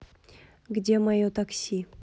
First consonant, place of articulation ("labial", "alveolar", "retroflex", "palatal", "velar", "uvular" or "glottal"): velar